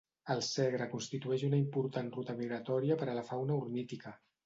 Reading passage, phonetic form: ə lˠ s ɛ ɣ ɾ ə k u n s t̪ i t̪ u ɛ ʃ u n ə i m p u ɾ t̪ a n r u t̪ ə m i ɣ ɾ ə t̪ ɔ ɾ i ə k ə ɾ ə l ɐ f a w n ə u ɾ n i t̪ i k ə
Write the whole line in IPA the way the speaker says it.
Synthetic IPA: ə lˠ s ɛ ɣ ɾ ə k u n s t̪ i t̪ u ɛ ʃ u n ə i m p u ɾ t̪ a n r u t̪ ə m i ɣ ɾ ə t̪ ɔ ɾ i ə p ə ɾ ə l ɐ f a w n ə u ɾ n i t̪ i k ə